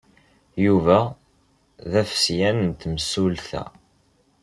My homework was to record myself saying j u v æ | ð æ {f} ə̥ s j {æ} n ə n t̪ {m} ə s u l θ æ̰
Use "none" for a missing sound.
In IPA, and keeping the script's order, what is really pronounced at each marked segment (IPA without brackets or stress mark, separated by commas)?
f, æ, m